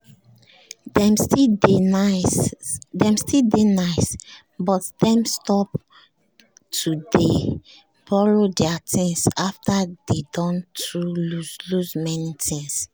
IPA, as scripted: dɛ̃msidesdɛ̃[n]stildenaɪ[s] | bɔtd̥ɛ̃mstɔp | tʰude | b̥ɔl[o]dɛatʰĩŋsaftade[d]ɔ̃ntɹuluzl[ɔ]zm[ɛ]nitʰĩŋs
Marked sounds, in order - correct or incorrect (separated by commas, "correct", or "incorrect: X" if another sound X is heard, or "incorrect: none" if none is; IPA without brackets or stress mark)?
incorrect: m, correct, correct, correct, incorrect: u, correct